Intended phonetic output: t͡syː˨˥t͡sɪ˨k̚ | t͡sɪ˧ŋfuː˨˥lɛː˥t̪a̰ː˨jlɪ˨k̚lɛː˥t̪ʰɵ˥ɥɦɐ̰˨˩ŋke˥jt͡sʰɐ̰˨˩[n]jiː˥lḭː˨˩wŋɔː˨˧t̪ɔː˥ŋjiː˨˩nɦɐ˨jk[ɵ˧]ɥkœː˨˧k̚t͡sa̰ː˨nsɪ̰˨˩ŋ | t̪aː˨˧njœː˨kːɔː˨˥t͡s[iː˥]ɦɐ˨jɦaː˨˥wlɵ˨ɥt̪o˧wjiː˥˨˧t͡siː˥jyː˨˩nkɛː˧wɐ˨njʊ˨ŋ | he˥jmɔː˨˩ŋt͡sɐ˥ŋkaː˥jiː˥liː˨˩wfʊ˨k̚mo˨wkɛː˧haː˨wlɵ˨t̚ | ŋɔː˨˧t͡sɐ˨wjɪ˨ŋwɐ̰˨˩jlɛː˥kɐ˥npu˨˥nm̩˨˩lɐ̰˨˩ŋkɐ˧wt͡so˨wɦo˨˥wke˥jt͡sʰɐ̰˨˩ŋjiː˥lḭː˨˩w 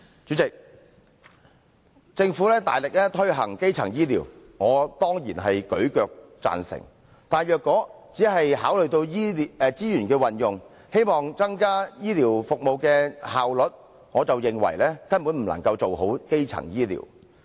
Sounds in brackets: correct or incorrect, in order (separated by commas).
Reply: incorrect, incorrect, incorrect